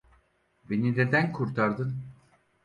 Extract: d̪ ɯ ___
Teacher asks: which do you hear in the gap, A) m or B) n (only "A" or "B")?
B